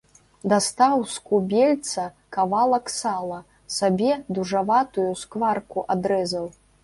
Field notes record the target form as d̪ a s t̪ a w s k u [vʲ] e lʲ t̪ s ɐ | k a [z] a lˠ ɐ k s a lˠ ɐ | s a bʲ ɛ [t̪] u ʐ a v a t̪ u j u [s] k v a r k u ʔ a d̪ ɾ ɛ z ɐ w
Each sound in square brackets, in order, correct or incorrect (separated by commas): incorrect, incorrect, incorrect, correct